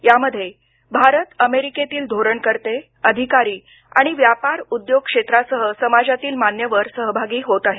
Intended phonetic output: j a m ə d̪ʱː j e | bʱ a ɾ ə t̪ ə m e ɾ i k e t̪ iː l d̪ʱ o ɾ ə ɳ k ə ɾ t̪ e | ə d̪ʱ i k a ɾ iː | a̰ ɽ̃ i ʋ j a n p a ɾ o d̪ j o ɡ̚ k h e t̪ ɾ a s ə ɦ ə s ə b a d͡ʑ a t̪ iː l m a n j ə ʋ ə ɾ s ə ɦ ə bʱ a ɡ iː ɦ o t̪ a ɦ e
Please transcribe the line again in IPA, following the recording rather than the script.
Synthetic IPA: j a m ə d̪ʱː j e | bʱ a ɾ ə t̪ ə m e ɾ i k e t̪ iː l d̪ʱ o ɾ ə ɳ k ə ɾ t̪ e | ə d̪ʱ i k a ɾ iː | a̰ ɽ̃ i ʋ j a p a ɾ u d̪ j o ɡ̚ k ʂ e t̪ ɾ a s ə ɦ ə s ə m a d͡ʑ a t̪ iː l m a n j ə ʋ ə ɾ s ə ɦ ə bʱ a ɡ iː ɦ o t̪ a ɦ e